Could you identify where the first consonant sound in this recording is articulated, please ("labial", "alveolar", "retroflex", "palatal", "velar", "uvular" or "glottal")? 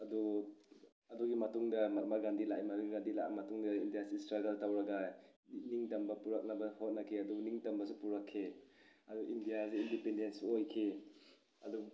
alveolar